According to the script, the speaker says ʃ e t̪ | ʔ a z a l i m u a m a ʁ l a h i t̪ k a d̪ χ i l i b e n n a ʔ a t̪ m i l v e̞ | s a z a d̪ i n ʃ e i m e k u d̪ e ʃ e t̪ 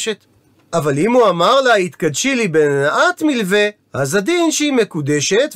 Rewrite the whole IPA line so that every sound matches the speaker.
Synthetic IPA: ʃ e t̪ | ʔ a v a l i m u a m a ʁ l a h i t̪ k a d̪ ʃ i l i b e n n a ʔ a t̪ m i l v e̞ | h a z a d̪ i n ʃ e i m e k u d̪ e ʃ e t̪